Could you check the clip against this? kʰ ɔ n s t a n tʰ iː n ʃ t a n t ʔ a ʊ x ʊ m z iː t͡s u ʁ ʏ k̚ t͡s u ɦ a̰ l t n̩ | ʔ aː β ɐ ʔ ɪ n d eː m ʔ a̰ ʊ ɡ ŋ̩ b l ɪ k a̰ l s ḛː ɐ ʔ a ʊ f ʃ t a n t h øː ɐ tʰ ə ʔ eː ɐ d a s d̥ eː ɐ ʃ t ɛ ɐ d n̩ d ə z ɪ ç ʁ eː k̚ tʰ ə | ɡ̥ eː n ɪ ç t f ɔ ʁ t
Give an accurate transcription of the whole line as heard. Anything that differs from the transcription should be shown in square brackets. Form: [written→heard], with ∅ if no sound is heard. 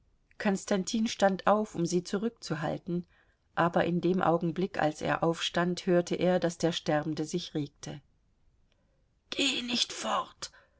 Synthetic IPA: kʰ ɔ n s t a n tʰ iː n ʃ t a n t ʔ a ʊ [x→f] ʊ m z iː t͡s u ʁ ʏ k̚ t͡s u ɦ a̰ l t n̩ | ʔ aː [β→b] ɐ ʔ ɪ n d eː m ʔ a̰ ʊ ɡ ŋ̩ b l ɪ k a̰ l s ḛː ɐ ʔ a ʊ f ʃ t a n t h øː ɐ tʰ ə ʔ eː ɐ d a s d̥ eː ɐ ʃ t ɛ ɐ [d→b] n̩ d ə z ɪ ç ʁ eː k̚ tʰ ə | ɡ̥ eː n ɪ ç t f ɔ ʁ t